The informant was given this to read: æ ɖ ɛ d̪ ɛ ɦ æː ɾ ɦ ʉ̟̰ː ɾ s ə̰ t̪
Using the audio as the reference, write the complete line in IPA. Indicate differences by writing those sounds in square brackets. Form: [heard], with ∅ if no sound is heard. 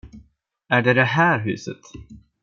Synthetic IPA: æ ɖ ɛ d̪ ɛ ɦ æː ɾ ɦ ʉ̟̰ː [∅] s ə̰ t̪